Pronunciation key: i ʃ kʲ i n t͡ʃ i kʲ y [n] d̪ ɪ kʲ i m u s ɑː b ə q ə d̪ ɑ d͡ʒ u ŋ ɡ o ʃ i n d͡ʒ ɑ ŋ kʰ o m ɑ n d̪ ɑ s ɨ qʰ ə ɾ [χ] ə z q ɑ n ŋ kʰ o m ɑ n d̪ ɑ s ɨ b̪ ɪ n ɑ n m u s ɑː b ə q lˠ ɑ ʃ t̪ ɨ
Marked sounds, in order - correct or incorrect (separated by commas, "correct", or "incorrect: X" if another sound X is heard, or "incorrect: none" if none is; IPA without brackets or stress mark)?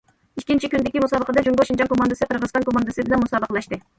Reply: correct, incorrect: ʁ